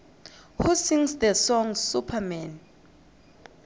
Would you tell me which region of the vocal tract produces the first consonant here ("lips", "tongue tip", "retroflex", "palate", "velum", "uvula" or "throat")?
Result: throat